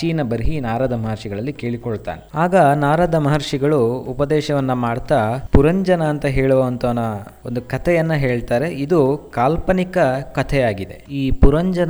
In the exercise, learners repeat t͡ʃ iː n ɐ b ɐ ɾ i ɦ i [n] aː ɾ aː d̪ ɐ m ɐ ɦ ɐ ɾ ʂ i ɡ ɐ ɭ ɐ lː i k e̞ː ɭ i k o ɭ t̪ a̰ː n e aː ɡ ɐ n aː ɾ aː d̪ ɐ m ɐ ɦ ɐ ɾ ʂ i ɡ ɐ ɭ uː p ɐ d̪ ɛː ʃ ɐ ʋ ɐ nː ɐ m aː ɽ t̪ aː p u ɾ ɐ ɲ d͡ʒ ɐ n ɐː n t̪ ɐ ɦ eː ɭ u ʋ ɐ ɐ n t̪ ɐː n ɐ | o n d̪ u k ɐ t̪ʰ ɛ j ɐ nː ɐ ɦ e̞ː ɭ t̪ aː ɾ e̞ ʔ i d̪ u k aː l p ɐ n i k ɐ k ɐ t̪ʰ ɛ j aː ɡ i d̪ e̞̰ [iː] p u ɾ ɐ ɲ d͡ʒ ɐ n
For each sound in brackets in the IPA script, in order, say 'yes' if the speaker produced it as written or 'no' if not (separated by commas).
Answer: yes, yes